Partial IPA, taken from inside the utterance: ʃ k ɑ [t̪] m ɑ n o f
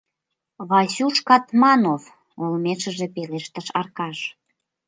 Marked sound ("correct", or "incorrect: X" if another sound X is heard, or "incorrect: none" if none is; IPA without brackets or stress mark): correct